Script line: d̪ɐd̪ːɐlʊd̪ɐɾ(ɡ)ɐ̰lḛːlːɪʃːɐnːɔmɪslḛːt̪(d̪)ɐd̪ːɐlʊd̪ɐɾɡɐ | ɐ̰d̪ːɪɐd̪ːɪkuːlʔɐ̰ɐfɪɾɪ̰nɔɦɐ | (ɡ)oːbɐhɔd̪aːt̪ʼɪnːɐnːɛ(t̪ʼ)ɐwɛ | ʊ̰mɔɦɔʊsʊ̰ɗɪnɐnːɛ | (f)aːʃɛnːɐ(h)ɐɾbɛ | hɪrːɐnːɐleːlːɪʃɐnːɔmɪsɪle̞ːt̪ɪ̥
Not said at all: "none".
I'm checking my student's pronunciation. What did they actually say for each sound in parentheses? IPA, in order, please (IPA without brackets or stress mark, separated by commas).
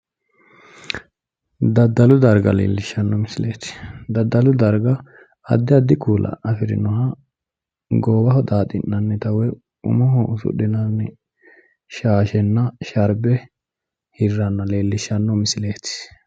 ɡ, d̪, ɡ, t̪, ʃ, ʃ